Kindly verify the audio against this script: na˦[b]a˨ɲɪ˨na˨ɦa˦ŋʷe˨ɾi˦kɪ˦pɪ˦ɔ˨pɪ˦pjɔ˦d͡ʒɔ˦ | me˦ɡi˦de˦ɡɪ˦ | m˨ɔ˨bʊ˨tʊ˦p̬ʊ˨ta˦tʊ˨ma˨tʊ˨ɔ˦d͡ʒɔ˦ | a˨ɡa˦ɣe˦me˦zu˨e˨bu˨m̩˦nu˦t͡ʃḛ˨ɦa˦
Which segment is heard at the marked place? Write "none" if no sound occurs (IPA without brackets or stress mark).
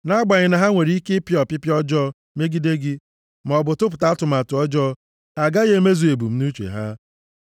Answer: ɡ͡b